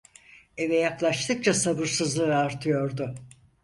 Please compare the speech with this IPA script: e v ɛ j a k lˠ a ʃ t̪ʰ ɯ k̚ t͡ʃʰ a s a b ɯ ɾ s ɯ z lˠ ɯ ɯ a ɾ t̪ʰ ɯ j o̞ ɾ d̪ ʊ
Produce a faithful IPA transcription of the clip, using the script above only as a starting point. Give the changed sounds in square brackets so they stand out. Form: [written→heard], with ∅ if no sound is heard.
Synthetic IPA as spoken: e v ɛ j a k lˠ a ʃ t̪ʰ ɯ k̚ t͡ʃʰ a s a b ɯ ɾ s ɯ z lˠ ɯ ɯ a ɾ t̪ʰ ɯ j o̞ ɾ d̪ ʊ